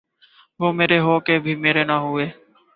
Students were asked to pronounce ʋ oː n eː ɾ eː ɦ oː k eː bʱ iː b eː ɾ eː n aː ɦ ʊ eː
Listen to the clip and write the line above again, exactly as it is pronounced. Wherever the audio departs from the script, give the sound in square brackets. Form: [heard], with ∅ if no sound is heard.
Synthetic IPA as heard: ʋ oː [m] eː ɾ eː ɦ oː k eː bʱ iː [m] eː ɾ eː n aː ɦ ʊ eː